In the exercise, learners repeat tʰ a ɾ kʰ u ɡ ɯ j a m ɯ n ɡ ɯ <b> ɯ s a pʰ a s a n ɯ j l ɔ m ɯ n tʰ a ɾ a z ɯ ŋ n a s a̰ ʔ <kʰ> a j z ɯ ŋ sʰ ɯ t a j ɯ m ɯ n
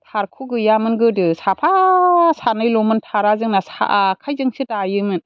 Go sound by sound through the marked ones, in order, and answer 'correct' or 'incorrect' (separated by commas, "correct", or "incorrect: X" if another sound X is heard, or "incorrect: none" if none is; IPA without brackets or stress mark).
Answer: incorrect: d, correct